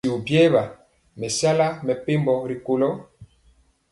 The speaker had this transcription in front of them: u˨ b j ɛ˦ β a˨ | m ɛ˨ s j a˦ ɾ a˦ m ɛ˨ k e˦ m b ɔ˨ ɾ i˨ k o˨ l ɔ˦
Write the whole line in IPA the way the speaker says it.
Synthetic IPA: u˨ b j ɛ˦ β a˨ | m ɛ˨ s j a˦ l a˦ m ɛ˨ p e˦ m b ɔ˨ ɾ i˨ k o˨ l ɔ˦